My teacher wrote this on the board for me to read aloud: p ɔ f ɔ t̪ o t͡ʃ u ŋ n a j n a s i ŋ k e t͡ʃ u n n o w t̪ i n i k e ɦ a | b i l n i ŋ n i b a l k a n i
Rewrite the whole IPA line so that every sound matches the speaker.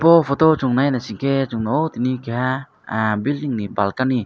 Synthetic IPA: p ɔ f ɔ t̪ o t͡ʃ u ŋ n a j n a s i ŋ k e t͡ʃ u ŋ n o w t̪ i n i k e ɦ a | b i l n i ŋ n i b a l k a n i